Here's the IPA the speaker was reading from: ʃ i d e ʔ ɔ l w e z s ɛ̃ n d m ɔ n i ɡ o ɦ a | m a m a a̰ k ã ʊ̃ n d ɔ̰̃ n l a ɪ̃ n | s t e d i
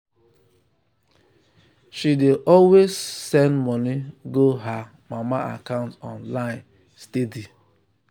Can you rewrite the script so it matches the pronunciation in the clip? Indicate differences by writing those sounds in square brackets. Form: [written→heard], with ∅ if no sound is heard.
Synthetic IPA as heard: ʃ i d e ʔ ɔ l w e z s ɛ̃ n d m ɔ n i ɡ o ɦ a | m a m a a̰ k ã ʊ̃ n [d→t] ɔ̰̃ n l a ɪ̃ n | s t e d i